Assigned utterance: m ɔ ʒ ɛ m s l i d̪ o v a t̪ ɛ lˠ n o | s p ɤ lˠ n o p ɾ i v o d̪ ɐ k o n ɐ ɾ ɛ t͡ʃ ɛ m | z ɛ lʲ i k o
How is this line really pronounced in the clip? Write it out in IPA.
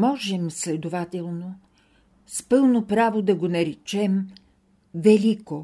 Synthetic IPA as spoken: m ɔ ʒ ɛ m s l ɛ d̪ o v a t̪ ɛ lˠ n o | s p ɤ lˠ n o p ɾ a v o d̪ ɐ ɡ o n ɐ ɾ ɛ t͡ʃ ɛ m | v ɛ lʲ i k o